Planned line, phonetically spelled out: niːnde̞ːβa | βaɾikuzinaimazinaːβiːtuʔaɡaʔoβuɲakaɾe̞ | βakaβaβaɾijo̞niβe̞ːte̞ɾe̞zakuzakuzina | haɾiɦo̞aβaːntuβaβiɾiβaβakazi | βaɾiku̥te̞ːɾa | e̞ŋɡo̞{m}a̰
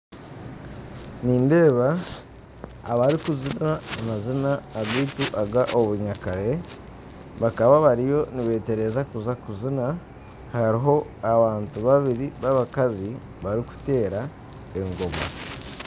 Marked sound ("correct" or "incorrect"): correct